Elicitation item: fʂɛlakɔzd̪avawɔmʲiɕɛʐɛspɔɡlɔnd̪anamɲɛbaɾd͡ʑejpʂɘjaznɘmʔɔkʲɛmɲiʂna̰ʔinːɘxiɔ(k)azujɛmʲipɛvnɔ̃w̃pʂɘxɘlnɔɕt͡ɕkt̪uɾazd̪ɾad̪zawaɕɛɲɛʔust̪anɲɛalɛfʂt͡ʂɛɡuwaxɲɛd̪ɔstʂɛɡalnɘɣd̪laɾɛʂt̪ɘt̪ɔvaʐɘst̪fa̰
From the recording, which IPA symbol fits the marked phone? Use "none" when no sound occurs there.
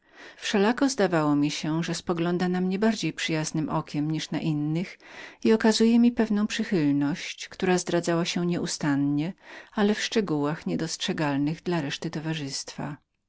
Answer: k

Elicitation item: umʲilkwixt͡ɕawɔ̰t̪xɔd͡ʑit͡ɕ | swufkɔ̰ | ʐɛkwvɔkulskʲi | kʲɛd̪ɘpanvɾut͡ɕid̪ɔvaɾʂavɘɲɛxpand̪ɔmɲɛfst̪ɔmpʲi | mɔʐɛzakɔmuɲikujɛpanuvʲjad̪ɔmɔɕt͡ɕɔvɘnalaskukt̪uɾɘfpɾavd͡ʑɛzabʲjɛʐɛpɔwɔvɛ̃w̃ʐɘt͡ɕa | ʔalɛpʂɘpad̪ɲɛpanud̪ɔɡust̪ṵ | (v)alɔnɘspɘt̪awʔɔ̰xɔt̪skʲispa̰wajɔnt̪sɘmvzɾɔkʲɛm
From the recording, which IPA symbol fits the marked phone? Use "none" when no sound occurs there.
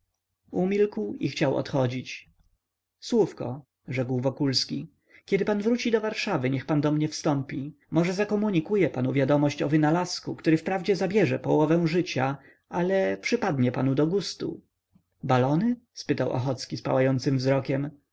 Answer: b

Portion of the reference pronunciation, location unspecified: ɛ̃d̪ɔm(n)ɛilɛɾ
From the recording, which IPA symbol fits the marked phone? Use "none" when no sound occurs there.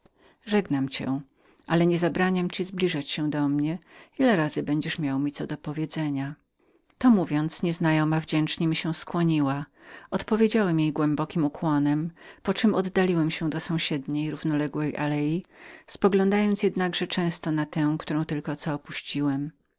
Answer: ɲ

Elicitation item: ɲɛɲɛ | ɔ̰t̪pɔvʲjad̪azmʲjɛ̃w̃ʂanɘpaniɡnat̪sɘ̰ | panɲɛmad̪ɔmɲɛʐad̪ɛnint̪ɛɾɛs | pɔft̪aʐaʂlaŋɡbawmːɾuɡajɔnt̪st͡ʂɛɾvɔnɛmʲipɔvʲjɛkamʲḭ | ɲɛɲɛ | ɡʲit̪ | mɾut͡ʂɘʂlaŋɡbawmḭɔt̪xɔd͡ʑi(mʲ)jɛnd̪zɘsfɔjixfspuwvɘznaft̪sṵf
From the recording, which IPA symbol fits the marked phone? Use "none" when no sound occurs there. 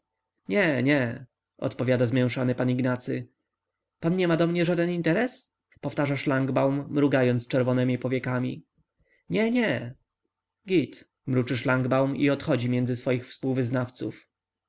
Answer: mʲ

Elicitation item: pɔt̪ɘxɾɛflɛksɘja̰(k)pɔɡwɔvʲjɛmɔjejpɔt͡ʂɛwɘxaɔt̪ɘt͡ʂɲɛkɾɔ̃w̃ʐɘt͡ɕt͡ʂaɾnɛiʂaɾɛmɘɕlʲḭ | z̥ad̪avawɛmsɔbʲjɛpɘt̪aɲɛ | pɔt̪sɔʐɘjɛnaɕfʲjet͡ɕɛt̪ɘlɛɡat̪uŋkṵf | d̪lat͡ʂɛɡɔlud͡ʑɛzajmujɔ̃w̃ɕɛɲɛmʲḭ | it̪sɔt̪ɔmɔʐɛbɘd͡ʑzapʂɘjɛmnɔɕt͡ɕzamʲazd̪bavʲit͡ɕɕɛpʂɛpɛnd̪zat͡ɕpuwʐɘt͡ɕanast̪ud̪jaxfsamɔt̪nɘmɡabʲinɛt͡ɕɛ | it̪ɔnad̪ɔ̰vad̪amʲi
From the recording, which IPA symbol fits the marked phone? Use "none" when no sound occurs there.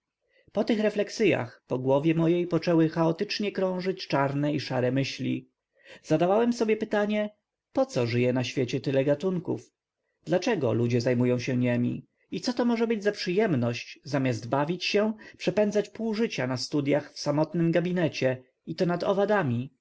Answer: x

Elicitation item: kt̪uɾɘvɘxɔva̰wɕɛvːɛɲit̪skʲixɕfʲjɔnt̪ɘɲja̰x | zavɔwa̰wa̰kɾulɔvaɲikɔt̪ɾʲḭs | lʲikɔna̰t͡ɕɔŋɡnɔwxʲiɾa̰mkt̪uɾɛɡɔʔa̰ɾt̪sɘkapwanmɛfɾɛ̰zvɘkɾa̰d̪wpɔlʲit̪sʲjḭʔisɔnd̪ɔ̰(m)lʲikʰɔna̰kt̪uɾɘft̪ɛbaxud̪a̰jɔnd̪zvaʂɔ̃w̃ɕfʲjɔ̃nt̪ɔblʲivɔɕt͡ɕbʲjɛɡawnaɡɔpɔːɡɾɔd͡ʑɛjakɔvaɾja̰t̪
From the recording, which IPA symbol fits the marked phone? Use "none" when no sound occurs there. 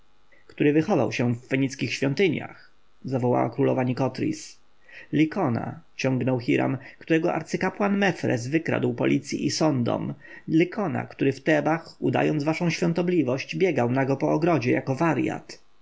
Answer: m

